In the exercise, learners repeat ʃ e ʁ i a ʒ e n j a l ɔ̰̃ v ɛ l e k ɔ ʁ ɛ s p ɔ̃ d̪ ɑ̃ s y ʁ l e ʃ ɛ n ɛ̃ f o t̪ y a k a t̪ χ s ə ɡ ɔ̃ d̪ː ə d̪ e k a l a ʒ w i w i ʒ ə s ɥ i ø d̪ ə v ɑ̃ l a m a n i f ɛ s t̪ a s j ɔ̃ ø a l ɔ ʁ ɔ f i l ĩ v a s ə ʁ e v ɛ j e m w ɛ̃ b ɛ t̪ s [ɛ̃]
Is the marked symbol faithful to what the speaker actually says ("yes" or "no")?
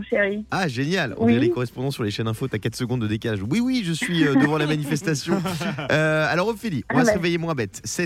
no